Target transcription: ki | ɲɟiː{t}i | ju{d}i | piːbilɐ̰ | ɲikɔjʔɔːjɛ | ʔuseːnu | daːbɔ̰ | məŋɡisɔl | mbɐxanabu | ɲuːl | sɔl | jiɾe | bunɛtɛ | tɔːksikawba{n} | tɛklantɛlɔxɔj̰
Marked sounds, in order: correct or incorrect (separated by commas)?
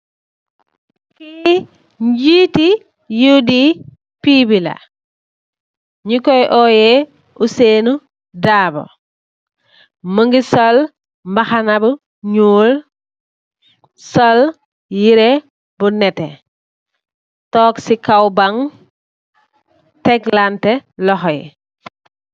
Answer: correct, correct, incorrect